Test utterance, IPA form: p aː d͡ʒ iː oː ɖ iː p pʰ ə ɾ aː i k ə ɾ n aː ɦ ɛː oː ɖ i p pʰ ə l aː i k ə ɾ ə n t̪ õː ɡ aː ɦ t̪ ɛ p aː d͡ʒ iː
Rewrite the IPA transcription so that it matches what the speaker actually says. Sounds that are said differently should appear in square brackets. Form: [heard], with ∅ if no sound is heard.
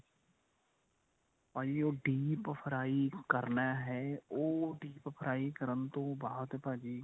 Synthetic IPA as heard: p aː d͡ʒ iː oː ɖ iː p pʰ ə ɾ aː i k ə ɾ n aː ɦ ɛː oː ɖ [iː] p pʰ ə [ɾ] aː i k ə ɾ ə n t̪ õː [b] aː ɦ t̪ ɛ p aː d͡ʒ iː